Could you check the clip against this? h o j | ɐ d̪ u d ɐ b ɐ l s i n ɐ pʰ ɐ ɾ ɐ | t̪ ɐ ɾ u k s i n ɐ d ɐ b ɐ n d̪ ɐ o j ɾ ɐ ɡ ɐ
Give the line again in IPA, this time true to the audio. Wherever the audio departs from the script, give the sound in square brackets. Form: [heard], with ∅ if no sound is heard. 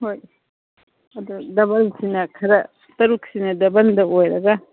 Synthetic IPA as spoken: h o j | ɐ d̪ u d ɐ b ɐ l s i n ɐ [kʰ] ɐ ɾ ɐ | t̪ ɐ ɾ u k s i n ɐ d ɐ b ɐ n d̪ ɐ o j ɾ ɐ ɡ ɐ